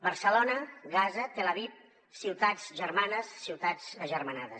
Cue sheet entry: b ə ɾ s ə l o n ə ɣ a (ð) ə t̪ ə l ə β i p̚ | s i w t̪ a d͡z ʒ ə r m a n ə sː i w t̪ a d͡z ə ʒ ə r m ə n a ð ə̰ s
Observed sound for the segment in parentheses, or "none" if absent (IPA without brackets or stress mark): z